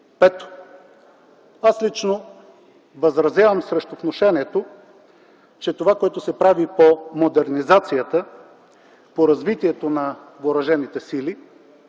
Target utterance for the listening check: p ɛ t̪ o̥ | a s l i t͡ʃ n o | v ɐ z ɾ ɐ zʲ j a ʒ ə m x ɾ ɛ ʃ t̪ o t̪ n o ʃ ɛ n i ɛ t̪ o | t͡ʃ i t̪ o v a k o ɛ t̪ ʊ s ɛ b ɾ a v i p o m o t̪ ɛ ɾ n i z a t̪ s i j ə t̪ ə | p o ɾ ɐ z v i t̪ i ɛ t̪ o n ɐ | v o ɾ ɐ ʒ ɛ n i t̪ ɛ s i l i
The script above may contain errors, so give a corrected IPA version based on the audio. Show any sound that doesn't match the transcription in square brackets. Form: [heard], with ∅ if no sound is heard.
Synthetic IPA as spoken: p ɛ t̪ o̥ | a s l i t͡ʃ n o | v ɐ z ɾ ɐ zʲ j a [v] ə m [s] ɾ ɛ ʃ t̪ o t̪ n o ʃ ɛ n i ɛ t̪ o | t͡ʃ [ɛ] t̪ o v a k o ɛ t̪ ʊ s ɛ [p] ɾ a v i p o m o [d̪] ɛ ɾ n i z a t̪ s i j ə t̪ ə | p o ɾ ɐ z v i t̪ i ɛ t̪ o n ɐ | v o ɾ ɐ ʒ ɛ n i t̪ ɛ s i l i